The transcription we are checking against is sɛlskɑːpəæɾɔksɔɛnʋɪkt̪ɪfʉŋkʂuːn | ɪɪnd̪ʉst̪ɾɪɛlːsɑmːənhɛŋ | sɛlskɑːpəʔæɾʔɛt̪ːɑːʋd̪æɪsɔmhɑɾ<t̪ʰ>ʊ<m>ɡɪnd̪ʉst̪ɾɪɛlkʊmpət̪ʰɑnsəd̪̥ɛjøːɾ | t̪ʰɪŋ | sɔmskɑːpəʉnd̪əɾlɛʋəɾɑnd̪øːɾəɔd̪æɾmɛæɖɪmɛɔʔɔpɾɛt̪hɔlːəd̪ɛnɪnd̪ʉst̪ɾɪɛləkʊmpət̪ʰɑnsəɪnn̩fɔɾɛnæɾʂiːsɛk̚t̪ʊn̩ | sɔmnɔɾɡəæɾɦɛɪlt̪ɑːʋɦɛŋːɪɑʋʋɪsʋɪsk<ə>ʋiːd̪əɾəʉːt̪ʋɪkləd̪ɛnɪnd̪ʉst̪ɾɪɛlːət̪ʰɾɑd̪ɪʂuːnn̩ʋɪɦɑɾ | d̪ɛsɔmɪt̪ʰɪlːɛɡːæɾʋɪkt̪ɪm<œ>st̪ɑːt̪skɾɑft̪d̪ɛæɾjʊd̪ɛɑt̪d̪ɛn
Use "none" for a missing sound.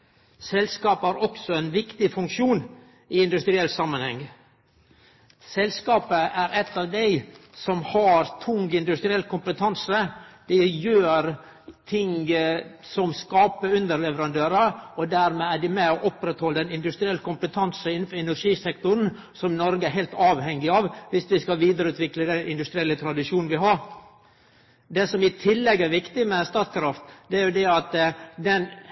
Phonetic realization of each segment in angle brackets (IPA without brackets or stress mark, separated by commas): t̪ʰ, ŋ, ɑ, ɛ